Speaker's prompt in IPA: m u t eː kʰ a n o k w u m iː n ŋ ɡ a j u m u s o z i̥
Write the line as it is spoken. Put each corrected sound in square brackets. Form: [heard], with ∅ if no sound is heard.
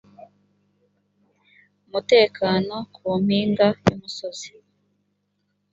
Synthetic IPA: m u t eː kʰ a n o k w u m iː [∅] ŋ ɡ a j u m u s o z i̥